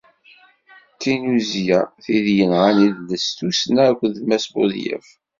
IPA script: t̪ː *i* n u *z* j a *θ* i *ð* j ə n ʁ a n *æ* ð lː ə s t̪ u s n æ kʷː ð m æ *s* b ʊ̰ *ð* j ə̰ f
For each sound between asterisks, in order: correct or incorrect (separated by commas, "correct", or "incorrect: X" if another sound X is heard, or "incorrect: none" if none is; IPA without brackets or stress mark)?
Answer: correct, correct, correct, correct, incorrect: i, correct, correct